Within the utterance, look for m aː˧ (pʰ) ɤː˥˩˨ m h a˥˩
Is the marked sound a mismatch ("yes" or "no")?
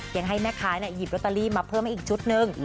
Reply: no